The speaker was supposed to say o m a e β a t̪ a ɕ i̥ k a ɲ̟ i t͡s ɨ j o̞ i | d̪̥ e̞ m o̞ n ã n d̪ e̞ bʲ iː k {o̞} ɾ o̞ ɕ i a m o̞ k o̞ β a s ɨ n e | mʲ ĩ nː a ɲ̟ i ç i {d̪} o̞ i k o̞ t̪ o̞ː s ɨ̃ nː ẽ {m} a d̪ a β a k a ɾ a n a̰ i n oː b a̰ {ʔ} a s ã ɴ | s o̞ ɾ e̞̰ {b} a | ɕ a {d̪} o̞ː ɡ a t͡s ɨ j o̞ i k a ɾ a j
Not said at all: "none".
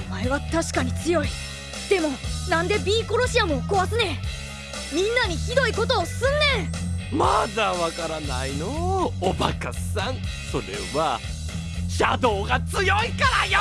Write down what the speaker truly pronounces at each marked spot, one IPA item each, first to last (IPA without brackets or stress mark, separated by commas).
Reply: o̞, d̪, m, k, β, d̪